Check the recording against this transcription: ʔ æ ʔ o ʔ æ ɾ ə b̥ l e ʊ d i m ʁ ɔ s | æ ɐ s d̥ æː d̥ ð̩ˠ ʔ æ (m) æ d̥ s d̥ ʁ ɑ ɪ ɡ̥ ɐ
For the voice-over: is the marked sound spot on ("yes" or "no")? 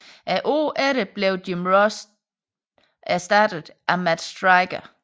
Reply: yes